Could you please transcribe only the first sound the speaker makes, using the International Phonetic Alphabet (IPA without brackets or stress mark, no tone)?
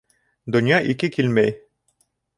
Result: d̪